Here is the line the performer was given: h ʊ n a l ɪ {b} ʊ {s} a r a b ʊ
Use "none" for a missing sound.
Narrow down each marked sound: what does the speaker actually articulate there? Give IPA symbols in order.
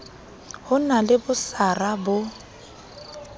b, s

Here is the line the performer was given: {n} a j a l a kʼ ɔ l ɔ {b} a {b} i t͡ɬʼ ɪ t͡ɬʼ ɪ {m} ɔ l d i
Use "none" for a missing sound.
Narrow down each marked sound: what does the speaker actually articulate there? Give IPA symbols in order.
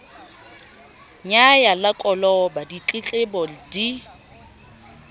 ɲ, b, d, b

